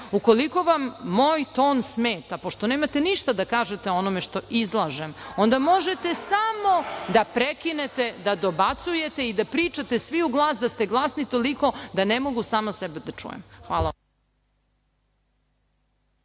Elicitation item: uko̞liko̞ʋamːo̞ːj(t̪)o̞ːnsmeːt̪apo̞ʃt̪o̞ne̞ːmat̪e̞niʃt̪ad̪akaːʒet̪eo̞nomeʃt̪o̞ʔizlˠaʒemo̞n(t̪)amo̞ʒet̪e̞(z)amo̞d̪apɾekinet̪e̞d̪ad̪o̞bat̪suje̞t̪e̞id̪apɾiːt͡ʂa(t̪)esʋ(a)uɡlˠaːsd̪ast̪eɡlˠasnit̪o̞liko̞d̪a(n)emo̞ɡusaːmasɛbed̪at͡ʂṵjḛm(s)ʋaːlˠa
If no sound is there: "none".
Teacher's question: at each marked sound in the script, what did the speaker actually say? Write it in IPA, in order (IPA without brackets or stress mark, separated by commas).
t̪, d̪, s, t̪, i, n, x